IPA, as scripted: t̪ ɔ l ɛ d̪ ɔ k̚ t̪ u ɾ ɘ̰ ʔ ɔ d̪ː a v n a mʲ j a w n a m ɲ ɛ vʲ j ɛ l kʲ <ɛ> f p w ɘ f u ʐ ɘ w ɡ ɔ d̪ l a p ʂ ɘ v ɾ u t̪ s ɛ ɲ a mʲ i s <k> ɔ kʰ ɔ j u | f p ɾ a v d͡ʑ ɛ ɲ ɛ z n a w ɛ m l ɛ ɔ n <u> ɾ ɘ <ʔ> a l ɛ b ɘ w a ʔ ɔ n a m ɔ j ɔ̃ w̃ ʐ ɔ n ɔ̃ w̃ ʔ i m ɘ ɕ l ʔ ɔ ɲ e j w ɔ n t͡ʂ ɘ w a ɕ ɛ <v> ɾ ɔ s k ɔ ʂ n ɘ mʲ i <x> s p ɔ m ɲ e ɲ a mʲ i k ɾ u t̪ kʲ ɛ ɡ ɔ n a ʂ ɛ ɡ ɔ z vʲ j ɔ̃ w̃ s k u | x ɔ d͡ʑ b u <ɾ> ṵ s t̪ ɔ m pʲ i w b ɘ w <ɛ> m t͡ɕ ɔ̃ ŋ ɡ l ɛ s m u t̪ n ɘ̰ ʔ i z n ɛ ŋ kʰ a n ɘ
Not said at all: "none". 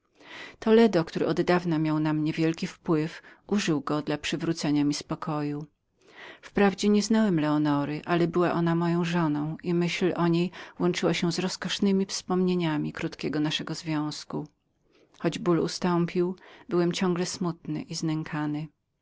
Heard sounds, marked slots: i, p, ɔ, ʔ, z, f, l, ɛ

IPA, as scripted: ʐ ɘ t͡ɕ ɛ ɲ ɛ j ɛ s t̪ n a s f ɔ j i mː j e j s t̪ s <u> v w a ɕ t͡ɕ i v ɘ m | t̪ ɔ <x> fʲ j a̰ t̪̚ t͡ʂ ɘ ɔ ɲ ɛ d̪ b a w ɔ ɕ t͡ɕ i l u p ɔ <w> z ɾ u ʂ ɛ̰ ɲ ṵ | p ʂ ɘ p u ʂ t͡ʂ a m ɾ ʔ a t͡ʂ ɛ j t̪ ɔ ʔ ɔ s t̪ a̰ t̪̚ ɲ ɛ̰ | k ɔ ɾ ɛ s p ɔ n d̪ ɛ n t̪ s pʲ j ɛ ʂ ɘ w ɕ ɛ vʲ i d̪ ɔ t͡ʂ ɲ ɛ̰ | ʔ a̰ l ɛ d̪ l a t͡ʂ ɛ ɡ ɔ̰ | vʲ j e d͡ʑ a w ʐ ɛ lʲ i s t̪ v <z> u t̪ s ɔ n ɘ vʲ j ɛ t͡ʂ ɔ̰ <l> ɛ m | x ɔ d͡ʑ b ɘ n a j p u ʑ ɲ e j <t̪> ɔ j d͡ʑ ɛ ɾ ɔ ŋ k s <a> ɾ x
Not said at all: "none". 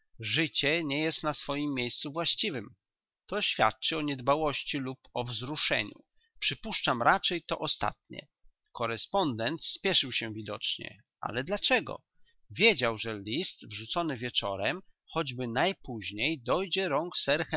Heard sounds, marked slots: u, ɕ, v, ʐ, ɾ, d̪, ɛ

